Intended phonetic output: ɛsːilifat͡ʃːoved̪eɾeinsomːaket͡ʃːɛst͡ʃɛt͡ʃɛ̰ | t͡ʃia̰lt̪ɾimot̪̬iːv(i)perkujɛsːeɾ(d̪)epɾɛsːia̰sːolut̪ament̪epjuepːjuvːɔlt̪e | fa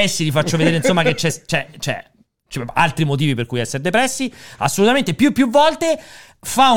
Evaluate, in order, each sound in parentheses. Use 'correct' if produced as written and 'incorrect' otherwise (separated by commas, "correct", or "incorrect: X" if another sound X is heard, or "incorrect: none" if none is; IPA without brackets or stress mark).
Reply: correct, correct